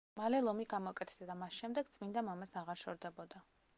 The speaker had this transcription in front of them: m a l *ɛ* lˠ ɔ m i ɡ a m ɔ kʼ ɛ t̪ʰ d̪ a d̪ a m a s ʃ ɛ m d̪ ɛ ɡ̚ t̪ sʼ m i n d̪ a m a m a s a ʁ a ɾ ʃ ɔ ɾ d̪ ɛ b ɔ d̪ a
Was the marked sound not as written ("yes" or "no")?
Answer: no